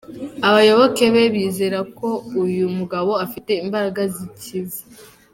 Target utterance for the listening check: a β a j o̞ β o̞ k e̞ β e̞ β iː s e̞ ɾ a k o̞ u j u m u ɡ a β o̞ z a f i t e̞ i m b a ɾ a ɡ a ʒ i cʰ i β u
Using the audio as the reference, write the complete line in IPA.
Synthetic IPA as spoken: a β a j o̞ β o̞ k e̞ β e̞ β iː z e̞ ɾ a k o̞ u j u m u ɡ a β o̞ a f i t e̞ i m b a ɾ a ɡ a z i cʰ i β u